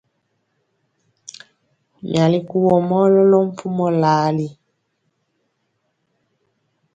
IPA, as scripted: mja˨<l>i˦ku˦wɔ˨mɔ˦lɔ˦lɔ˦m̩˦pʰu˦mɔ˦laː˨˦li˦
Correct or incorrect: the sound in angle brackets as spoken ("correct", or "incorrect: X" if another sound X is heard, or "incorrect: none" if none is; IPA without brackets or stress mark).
correct